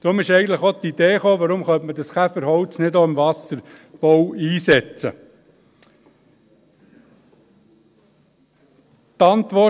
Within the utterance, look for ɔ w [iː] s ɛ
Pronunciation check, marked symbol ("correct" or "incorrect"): correct